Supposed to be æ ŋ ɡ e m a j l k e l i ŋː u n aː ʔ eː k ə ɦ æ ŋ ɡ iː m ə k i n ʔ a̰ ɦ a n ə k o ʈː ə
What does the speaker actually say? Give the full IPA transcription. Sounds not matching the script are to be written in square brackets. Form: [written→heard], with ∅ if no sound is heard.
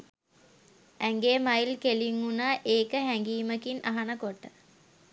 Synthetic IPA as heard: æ ŋ ɡ e m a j l k e l i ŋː u n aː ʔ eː k ə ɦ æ ŋ ɡ iː m ə k i n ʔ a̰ ɦ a n ə k o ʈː ə